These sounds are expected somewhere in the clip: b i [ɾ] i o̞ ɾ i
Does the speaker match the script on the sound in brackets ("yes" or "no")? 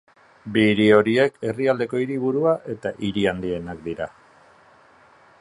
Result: yes